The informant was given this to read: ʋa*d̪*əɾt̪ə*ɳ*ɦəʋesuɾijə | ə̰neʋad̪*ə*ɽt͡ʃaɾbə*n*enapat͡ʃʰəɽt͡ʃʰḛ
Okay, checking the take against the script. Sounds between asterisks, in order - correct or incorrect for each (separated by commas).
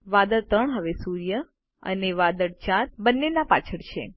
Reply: correct, correct, correct, incorrect